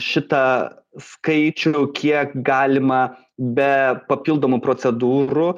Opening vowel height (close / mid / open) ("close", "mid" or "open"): close